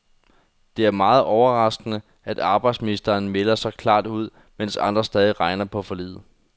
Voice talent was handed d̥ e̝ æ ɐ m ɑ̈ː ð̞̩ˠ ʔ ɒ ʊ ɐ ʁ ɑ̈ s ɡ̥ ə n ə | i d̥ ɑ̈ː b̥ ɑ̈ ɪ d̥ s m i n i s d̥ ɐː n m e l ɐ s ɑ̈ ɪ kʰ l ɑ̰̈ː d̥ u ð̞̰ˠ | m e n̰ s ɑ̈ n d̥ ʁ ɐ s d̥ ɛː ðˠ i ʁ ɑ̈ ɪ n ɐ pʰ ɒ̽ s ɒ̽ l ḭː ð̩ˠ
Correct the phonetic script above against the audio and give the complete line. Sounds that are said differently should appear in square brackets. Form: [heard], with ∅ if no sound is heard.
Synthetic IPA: d̥ e̝ æ ɐ m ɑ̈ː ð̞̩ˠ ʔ ɒ ʊ ɐ ʁ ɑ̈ s ɡ̥ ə n ə | [æ] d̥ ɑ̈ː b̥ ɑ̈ ɪ d̥ s m i n i s d̥ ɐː n m e l ɐ s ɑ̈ ɪ kʰ l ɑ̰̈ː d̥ u ð̞̰ˠ | m e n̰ s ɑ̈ n d̥ ʁ ɐ s d̥ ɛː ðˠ i ʁ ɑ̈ ɪ n ɐ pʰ ɒ̽ [f] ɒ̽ l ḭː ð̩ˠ